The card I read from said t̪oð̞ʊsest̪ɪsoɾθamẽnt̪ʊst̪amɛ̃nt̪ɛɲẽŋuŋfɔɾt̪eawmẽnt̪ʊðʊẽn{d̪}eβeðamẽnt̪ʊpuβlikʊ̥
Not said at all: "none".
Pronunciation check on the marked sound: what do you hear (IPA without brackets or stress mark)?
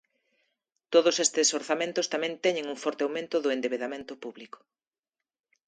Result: d̪